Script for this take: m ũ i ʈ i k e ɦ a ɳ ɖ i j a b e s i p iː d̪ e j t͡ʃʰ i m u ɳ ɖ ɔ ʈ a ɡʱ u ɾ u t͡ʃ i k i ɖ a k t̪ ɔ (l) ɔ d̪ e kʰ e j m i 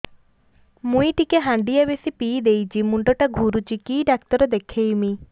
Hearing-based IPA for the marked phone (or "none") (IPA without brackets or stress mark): ɾ